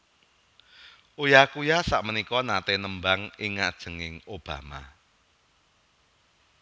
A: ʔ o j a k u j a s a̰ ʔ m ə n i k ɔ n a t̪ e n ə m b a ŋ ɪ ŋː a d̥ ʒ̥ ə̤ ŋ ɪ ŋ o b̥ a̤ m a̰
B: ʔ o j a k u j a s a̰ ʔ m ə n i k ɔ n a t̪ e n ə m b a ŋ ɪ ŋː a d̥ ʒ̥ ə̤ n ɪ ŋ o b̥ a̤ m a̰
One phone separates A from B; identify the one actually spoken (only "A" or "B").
A